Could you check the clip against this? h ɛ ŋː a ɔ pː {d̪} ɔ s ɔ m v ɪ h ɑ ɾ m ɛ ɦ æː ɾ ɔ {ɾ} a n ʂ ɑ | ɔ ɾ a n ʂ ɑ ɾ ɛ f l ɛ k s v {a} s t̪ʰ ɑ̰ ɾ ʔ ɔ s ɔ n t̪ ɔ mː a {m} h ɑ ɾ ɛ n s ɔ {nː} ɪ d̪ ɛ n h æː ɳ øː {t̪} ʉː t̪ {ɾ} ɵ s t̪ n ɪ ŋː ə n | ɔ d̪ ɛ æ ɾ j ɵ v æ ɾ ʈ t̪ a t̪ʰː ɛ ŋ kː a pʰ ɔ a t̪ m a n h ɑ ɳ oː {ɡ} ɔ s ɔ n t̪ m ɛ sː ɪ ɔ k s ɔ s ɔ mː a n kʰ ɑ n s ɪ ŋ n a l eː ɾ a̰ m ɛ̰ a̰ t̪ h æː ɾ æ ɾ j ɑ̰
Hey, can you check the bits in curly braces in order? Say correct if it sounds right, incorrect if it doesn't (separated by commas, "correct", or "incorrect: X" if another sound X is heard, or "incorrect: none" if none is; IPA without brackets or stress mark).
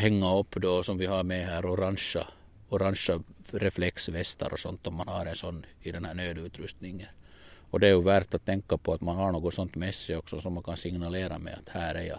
correct, correct, incorrect: ɛ, incorrect: n, correct, incorrect: d̪, correct, correct